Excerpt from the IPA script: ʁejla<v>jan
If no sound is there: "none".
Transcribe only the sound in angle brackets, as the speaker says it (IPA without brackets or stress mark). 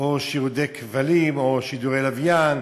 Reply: v